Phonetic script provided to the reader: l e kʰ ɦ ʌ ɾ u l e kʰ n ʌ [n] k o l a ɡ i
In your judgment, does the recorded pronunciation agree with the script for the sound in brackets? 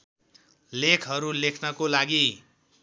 no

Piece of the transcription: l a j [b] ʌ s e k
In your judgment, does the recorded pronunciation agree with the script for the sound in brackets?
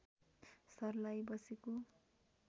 yes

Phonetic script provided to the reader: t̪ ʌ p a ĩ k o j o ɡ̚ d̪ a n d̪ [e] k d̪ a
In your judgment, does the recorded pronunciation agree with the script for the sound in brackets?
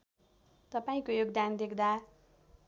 yes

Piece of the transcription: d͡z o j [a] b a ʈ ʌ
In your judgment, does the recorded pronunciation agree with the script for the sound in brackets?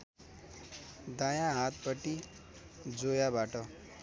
yes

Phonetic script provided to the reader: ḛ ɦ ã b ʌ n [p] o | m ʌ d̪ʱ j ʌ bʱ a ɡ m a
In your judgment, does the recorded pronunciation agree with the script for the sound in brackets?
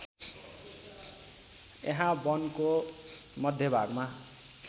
no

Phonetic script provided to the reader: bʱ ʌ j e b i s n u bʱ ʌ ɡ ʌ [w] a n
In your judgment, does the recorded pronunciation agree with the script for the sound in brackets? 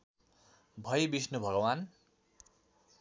yes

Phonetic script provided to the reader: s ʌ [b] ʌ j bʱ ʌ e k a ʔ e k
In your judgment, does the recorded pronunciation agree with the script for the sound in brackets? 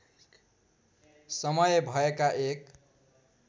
no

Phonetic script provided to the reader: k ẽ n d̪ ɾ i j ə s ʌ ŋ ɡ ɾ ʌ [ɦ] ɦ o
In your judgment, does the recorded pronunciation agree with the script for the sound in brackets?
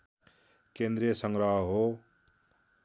yes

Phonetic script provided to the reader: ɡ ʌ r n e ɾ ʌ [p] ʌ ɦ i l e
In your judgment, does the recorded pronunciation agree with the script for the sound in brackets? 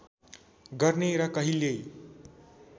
no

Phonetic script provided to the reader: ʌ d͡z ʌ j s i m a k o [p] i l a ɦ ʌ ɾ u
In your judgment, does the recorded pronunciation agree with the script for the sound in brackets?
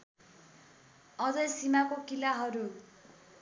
no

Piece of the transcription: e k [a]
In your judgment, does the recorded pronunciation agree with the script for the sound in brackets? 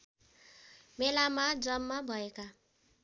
yes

